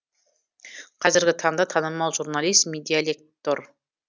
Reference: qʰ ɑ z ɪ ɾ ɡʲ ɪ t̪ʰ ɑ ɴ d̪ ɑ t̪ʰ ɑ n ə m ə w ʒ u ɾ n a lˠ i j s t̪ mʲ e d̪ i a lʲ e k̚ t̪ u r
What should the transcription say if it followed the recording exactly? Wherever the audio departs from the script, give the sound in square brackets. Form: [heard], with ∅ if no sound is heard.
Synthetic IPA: qʰ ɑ z ɪ ɾ ɡʲ ɪ t̪ʰ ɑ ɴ d̪ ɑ t̪ʰ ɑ n ə m [ɑ] w ʒ u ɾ n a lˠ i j s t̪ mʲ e d̪ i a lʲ e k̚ t̪ [o] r